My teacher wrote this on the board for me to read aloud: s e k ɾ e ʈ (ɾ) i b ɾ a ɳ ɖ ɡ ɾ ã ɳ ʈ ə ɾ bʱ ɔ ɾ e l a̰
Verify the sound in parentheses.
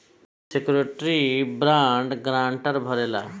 correct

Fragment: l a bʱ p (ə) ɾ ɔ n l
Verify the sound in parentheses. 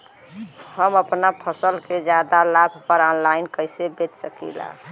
correct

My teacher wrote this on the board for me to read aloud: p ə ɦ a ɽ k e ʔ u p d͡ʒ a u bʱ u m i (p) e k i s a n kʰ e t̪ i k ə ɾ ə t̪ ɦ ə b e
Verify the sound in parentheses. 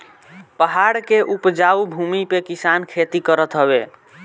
correct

